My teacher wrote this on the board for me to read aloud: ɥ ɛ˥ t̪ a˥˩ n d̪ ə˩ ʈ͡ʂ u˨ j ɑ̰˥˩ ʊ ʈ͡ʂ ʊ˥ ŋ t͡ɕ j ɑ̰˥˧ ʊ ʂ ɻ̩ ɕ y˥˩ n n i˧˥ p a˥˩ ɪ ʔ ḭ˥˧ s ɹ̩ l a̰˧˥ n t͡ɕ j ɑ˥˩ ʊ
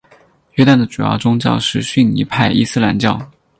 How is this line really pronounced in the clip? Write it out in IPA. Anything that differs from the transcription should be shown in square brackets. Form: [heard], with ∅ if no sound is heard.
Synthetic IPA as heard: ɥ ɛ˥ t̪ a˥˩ n d̪ ə˩ ʈ͡ʂ u˨ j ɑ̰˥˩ ʊ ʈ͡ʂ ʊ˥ ŋ t͡ɕ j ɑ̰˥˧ ʊ ʂ ɻ̩ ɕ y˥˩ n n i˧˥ [pʰ] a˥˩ ɪ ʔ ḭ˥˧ s ɹ̩ l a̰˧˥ n t͡ɕ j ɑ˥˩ ʊ